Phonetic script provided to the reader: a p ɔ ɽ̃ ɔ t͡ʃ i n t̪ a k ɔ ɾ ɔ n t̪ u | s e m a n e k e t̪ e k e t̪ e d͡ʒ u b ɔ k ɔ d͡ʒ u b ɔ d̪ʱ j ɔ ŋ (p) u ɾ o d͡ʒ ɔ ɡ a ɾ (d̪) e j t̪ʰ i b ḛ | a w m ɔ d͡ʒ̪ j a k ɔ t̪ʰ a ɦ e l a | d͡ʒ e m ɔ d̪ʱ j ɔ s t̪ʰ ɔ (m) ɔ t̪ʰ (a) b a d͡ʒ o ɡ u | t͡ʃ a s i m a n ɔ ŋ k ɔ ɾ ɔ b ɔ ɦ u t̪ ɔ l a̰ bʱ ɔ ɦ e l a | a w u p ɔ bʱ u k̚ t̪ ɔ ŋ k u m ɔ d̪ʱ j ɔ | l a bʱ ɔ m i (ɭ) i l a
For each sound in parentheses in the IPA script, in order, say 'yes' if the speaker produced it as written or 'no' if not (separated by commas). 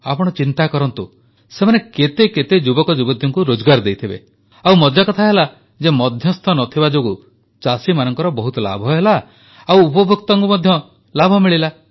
no, yes, no, no, yes